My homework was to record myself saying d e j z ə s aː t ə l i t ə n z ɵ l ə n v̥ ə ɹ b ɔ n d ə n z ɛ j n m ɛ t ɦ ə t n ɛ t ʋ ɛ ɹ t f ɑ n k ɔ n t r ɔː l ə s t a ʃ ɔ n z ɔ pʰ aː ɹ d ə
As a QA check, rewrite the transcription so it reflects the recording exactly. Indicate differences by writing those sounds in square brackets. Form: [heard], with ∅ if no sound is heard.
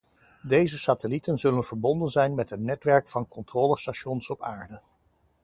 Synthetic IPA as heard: d e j z ə s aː t ə l i t ə n z ɵ l ə n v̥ ə ɹ b ɔ n d ə n z ɛ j n m ɛ t ɦ ə t n ɛ t ʋ ɛ ɹ [k] f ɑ n k ɔ n t r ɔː l ə s t a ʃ ɔ n [s] ɔ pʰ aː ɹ d ə